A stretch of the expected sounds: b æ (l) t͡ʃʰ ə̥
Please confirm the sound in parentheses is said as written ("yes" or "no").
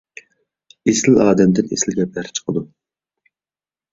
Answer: no